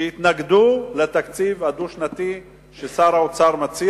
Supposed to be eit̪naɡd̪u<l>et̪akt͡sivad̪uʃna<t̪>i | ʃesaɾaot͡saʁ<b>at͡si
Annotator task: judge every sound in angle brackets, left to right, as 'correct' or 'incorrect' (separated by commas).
correct, correct, incorrect